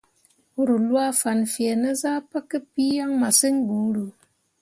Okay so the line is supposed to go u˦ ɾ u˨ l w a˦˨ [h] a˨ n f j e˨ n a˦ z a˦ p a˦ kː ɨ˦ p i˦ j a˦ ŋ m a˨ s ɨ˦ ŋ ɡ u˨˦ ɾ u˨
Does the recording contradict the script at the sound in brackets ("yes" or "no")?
yes